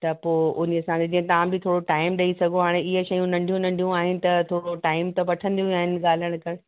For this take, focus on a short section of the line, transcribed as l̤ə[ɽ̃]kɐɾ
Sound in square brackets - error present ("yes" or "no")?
no